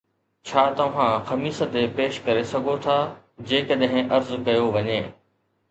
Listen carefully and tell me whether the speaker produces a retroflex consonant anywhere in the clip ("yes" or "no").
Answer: no